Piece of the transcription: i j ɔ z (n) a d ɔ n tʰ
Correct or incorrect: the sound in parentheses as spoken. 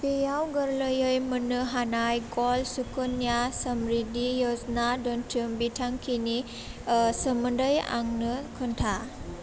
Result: correct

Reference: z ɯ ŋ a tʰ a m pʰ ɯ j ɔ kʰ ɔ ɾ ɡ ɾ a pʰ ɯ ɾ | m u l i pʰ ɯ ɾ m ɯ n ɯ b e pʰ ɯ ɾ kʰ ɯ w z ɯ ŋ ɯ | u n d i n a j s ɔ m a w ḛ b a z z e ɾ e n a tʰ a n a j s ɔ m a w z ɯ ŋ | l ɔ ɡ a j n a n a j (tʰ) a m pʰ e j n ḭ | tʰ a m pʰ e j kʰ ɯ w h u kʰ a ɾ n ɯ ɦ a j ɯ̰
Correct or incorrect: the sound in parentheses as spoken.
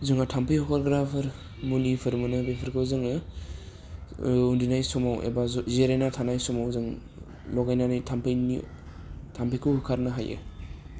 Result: correct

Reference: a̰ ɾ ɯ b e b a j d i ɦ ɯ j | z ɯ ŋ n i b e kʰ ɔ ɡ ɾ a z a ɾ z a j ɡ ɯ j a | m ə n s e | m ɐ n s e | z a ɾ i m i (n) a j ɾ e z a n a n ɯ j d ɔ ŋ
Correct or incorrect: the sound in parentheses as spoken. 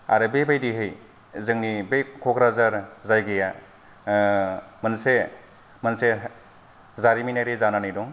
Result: correct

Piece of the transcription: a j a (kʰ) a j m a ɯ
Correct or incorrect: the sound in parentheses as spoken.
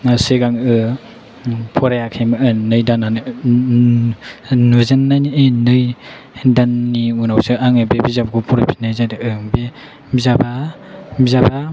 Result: correct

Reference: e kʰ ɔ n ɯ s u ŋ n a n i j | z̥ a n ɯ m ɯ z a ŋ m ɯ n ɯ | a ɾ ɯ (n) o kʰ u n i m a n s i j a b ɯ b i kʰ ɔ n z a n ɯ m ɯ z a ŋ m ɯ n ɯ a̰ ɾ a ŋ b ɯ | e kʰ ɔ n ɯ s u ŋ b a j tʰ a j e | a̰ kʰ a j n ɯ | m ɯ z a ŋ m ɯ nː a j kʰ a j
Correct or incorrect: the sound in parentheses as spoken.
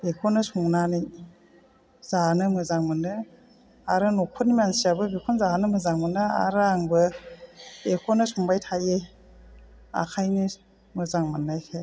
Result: correct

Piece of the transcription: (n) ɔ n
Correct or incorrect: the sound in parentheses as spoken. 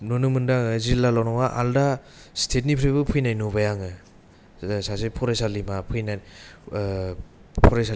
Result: correct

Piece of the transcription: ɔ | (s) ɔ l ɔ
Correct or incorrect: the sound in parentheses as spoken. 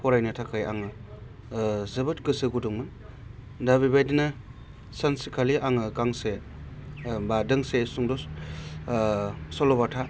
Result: correct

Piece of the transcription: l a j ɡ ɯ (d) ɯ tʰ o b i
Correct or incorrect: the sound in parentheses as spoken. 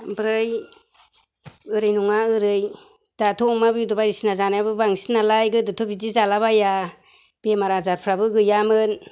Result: correct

